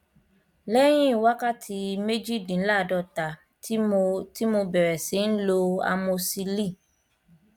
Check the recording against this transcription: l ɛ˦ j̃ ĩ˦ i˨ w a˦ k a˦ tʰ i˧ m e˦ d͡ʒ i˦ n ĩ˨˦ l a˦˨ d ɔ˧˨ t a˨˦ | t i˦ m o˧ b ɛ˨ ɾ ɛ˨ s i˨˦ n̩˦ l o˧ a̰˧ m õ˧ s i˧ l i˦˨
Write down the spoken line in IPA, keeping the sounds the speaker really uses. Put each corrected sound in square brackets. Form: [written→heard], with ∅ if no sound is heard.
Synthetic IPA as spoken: l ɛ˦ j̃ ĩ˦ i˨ w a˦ k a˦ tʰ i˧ m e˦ d͡ʒ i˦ [n→d] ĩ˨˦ l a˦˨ d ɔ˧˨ t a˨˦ | t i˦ m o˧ b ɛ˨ ɾ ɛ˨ s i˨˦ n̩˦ l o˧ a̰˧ m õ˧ s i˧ l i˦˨